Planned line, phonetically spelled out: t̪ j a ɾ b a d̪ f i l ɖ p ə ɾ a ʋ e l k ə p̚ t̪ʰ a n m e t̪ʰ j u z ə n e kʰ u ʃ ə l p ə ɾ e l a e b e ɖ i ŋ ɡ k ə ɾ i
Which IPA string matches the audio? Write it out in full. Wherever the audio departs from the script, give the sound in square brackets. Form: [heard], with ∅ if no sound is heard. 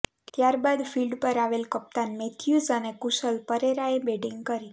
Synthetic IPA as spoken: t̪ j a ɾ b a d̪ f i l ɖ p ə ɾ a ʋ e l k ə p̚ [t̪] a n m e t̪ʰ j u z ə n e [k] u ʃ ə l p ə ɾ e [ɾ] a e b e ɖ i ŋ ɡ k ə ɾ i